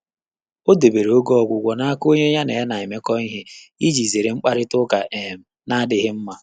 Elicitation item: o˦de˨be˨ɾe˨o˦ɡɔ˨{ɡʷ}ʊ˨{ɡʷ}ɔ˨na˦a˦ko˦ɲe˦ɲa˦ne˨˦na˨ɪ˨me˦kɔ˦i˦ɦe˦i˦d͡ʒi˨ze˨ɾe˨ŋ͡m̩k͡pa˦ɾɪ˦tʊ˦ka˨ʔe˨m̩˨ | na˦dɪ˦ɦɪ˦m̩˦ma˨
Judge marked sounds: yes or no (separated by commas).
yes, yes